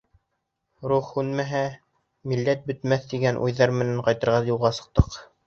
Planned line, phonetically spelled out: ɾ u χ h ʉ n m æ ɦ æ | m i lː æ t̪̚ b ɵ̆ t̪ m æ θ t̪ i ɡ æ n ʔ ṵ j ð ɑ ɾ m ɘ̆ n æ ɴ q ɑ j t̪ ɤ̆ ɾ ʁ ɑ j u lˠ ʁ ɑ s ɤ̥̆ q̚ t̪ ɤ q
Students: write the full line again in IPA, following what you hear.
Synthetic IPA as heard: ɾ u χ h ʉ n m æ ɦ æ | m i lː æ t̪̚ b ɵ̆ t̪ m æ θ t̪ i ɡ æ n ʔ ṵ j ð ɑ ɾ m ɘ̆ n æ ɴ q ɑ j t̪ ɤ̆ ɾ ʁ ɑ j u lˠ ʁ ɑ s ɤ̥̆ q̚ t̪ ɤ q

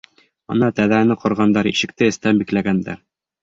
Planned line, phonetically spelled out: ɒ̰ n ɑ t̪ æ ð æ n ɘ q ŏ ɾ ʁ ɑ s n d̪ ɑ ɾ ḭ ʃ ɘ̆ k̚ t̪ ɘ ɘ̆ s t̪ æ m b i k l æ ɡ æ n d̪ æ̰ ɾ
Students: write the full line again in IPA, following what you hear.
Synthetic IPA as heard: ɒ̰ n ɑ t̪ æ ð æ n ɘ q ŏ ɾ ʁ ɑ n d̪ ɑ ɾ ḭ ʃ ɘ̆ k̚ t̪ ɘ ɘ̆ s t̪ æ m b i k l æ ɡ æ n d̪ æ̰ ɾ

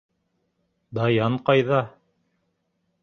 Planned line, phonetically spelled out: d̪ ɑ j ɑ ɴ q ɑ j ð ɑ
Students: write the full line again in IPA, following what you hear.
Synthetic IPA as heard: d̪ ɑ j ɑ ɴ q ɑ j ð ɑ

